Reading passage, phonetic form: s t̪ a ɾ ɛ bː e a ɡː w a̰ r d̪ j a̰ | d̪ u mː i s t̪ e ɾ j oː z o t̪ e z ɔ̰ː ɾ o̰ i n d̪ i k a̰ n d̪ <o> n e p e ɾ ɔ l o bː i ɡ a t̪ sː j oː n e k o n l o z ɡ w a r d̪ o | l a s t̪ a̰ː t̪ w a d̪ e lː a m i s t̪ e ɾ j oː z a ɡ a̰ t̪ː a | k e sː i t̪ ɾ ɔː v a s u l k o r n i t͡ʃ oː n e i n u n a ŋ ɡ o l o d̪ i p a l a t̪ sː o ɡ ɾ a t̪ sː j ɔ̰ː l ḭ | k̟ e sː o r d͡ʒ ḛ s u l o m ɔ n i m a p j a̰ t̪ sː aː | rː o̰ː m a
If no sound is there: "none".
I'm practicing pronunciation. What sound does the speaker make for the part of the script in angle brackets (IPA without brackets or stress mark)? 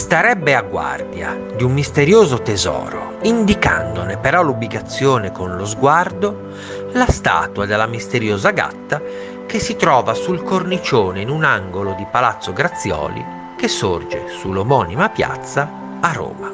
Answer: o